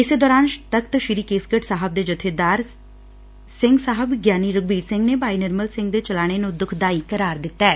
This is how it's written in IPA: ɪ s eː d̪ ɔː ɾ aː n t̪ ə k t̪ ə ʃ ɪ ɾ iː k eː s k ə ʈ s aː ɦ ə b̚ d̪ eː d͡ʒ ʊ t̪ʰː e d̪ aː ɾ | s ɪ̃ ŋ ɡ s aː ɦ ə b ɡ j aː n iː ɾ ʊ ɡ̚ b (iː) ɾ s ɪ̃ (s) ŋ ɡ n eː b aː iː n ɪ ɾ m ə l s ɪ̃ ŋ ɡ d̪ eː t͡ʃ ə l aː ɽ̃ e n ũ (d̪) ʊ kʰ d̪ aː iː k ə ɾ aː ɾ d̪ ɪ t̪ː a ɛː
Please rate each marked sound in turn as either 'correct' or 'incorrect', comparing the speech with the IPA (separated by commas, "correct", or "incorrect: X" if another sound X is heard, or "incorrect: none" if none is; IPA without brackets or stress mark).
correct, incorrect: none, correct